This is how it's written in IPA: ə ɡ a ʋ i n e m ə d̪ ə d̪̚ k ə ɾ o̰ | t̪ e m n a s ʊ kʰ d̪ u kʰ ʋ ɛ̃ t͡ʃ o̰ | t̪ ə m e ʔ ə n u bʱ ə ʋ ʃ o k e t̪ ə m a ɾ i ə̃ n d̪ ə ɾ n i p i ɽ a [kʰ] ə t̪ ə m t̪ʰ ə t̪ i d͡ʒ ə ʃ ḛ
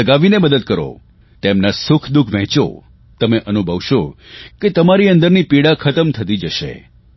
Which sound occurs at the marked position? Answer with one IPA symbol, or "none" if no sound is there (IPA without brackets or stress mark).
kʰ